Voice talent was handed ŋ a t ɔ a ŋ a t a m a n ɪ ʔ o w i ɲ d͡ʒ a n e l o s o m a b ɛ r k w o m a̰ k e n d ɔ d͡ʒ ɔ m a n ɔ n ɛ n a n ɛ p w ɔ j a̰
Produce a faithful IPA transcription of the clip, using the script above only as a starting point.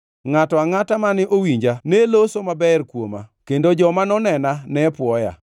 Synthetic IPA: ŋ a t ɔ a ŋ a t a m a n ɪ ʔ o w i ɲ d͡ʒ a n e l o s o m a b ɛ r k w o m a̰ k e n d o d͡ʒ ɔ m a n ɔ n ɛ n a n ɛ p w ɔ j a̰